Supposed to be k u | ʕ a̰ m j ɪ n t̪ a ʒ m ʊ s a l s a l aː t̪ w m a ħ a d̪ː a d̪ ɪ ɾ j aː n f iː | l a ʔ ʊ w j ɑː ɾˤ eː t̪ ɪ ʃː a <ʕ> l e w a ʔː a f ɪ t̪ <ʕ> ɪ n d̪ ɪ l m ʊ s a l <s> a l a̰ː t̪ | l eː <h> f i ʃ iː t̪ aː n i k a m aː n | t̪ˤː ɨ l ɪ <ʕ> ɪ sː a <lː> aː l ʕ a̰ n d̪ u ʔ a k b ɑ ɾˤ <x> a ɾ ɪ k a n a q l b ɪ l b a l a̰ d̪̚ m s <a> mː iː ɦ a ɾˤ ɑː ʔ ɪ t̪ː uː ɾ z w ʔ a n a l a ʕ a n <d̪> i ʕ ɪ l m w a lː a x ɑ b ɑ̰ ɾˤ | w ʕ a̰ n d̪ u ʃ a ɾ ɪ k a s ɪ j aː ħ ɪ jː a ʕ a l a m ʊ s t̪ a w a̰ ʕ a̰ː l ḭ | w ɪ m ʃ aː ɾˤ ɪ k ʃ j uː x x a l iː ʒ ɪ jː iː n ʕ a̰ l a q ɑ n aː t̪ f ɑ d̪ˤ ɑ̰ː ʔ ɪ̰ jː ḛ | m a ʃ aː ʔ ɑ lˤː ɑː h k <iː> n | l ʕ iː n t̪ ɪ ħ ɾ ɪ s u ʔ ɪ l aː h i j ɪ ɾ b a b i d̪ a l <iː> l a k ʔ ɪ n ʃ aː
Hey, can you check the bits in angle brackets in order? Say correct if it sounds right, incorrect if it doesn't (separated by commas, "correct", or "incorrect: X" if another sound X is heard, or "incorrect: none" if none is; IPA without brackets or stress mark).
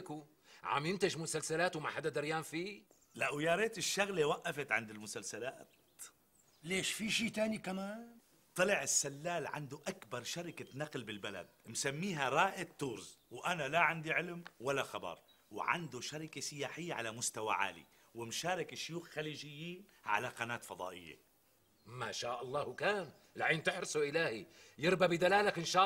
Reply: incorrect: ɣ, correct, correct, incorrect: ʃ, correct, correct, incorrect: ʃ, correct, correct, incorrect: aː, incorrect: aː